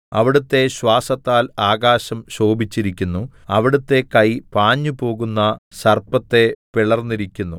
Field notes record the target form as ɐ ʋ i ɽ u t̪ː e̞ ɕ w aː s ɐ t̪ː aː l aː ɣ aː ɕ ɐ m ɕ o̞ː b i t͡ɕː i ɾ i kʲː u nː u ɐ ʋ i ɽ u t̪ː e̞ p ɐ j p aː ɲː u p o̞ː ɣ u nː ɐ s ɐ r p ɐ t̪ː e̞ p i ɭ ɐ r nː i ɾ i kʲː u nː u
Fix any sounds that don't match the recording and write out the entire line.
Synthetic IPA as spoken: ɐ ʋ i ɽ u t̪ː e̞ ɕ w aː s ɐ t̪ː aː l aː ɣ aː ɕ ɐ m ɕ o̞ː b i t͡ɕː i ɾ i kʲː u nː u ɐ ʋ i ɽ u t̪ː e̞ k ɐ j p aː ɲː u p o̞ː ɣ u nː ɐ s ɐ r p ɐ t̪ː e̞ p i ɭ ɐ r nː i ɾ i kʲː u nː u